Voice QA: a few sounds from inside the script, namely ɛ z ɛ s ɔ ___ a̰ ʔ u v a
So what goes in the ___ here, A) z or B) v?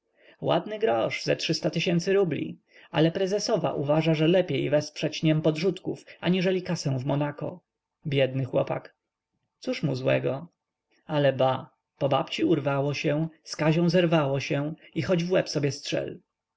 B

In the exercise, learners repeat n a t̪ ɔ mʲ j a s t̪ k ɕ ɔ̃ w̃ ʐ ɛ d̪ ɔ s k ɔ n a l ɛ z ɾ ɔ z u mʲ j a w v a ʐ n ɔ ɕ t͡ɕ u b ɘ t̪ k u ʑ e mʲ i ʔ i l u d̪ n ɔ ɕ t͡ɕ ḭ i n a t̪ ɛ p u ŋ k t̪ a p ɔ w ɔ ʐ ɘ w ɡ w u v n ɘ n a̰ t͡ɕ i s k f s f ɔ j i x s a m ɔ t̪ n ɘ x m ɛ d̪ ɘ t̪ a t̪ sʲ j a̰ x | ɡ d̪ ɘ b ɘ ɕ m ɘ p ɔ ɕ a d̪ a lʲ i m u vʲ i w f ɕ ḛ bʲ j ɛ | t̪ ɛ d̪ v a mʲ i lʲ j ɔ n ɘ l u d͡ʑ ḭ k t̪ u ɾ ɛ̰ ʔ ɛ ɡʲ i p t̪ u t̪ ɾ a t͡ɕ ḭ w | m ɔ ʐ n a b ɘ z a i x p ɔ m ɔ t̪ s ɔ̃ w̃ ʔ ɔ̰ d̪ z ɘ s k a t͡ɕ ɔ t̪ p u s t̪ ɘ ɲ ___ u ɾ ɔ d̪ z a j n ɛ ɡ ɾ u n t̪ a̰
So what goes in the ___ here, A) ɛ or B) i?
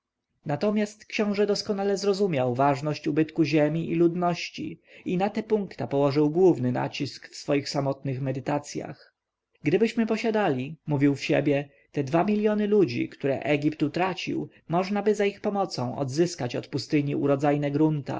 B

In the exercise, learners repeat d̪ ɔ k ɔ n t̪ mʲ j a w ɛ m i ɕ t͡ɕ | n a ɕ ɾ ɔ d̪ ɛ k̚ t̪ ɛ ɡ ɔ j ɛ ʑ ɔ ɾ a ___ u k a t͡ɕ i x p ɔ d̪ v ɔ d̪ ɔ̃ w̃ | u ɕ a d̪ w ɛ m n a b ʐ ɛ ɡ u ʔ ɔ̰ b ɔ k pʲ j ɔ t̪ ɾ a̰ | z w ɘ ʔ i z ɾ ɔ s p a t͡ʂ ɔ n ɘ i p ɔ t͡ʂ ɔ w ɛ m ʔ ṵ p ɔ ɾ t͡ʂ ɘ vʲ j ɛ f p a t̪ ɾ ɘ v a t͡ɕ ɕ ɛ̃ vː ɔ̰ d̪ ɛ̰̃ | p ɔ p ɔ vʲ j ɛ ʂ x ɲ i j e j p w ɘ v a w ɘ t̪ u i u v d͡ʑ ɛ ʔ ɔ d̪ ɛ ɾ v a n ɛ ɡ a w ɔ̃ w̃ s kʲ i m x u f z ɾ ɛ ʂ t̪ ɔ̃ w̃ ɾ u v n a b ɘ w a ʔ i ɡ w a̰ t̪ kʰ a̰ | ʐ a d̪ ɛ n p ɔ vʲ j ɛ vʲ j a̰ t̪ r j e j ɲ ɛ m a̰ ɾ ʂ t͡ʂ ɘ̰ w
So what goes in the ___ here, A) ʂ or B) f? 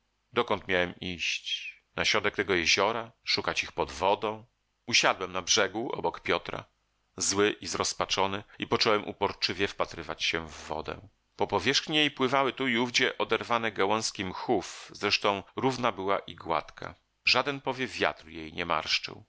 A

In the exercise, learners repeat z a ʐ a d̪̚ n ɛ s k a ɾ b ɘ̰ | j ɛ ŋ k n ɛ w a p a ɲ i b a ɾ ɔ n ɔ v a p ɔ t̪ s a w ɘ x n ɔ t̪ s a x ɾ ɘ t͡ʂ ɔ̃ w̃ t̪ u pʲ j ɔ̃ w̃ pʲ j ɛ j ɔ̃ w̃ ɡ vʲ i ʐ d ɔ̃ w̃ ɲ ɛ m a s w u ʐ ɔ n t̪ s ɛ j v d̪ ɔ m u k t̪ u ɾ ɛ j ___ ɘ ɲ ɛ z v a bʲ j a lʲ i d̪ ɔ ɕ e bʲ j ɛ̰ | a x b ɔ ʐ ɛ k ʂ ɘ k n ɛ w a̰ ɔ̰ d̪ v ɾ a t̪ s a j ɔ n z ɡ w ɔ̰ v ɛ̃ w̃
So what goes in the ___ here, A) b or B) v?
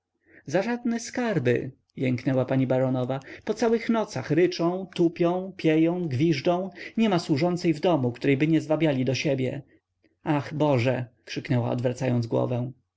A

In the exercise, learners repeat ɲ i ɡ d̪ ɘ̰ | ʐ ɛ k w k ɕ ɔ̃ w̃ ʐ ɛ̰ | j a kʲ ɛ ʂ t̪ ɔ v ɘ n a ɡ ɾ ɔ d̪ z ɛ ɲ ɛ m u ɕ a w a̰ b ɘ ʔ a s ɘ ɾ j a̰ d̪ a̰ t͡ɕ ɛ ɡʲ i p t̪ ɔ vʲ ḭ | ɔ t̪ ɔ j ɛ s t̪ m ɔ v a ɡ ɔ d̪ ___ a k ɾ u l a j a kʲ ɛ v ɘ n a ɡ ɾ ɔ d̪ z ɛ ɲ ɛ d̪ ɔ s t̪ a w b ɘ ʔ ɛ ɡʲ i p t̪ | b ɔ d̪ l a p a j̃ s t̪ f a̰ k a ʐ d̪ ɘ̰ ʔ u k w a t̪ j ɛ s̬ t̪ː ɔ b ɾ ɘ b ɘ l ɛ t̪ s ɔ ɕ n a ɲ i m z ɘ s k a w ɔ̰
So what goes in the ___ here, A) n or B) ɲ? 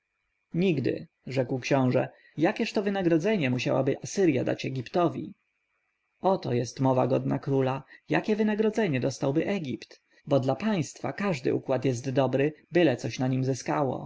A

